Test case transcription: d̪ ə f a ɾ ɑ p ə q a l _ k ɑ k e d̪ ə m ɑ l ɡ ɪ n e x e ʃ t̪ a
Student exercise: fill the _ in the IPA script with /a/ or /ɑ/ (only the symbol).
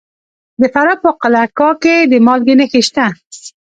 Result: a